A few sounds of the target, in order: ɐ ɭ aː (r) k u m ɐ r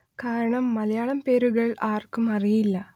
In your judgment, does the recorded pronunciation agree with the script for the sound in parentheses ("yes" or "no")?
yes